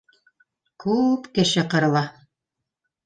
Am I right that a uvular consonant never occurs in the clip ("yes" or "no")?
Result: no